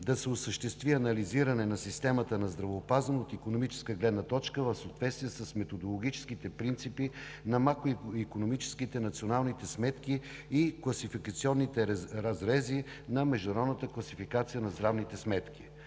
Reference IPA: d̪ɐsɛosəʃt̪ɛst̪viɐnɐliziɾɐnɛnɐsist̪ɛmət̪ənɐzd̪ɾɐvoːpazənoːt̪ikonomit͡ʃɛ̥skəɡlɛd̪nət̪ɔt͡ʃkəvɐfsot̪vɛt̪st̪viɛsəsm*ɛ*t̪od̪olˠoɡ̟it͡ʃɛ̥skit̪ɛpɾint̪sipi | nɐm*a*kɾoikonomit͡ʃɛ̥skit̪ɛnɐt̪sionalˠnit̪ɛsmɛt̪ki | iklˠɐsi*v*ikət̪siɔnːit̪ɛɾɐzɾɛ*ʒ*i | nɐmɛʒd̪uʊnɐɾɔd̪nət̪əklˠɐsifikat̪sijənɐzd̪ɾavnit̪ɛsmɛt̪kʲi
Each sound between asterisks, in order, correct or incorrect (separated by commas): correct, correct, incorrect, incorrect